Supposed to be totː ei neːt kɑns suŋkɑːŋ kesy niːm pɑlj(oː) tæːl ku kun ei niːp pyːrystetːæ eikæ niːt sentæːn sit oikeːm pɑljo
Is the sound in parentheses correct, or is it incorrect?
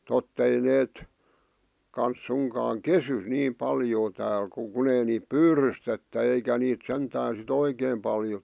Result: correct